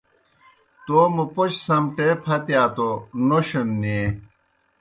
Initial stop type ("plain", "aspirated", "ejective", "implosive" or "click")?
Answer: plain